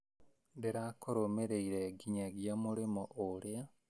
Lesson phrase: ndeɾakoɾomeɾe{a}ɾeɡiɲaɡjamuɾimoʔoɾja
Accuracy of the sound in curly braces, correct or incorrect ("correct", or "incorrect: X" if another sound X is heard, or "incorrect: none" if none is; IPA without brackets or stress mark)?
incorrect: i